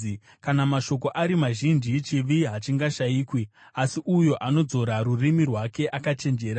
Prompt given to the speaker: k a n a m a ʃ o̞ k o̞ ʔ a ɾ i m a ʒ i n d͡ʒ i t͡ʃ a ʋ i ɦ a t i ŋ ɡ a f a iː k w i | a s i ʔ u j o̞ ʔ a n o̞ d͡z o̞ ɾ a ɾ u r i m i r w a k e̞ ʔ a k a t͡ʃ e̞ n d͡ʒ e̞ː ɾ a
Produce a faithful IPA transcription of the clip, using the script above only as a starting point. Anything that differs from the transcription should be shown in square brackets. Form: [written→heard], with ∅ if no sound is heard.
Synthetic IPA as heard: k a n a m a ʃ o̞ k o̞ ʔ a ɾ i m a ʒ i n d͡ʒ i t͡ʃ [a→i] ʋ i ɦ a [t→t͡ʃ] i ŋ ɡ a [f→ʃ] a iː k w i | a s i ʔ u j o̞ ʔ a n o̞ d͡z o̞ ɾ a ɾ u r i m i r w a k e̞ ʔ a k a t͡ʃ e̞ n d͡ʒ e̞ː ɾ a